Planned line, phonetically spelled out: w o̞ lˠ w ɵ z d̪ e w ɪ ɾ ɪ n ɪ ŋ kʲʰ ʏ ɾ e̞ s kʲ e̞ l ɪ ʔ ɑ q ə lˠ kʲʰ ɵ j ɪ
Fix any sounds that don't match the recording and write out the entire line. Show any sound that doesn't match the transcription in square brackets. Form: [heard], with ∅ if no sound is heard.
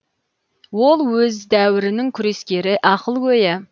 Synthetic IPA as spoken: w o̞ lˠ w ɵ z d̪ [æ] w ɪ ɾ ɪ n ɪ ŋ kʲʰ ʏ ɾ e̞ s kʲ e̞ [ɾ] ɪ ʔ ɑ q ə lˠ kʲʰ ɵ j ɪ